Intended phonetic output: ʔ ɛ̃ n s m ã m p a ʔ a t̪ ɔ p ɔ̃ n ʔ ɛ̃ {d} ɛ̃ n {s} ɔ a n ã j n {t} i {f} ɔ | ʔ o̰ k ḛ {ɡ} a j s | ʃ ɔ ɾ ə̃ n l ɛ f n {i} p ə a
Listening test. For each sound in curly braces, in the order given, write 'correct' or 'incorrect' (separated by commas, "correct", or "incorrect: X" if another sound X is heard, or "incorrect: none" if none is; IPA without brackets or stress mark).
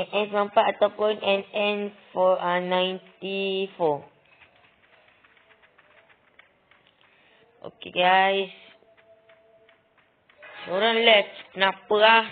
incorrect: n, incorrect: f, correct, correct, correct, incorrect: a